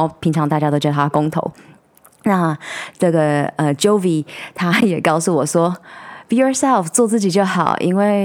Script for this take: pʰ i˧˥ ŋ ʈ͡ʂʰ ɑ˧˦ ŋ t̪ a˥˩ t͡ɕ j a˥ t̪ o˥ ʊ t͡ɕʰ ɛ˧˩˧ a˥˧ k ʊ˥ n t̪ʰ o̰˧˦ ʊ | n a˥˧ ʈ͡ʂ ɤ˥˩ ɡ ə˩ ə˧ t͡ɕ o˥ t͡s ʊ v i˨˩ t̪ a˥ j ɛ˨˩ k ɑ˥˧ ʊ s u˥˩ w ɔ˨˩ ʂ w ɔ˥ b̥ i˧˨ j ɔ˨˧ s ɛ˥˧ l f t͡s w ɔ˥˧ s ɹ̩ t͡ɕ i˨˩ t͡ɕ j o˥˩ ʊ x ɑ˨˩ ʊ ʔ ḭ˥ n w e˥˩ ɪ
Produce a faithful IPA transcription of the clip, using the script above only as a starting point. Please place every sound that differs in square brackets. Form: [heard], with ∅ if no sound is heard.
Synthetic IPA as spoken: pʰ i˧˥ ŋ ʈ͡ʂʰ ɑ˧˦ ŋ t̪ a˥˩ t͡ɕ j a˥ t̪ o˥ ʊ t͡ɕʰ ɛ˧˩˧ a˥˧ k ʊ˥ [ŋ] t̪ʰ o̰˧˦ ʊ | n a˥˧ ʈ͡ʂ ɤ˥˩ ɡ ə˩ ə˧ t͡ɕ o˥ [∅] ʊ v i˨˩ [t̪ʰ] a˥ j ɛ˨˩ k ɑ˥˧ ʊ s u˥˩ w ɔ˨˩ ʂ w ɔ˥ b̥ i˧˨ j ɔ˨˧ s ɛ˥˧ l f t͡s w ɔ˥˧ [t͡s] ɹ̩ t͡ɕ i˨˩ t͡ɕ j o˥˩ ʊ x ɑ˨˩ ʊ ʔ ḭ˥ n w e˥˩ ɪ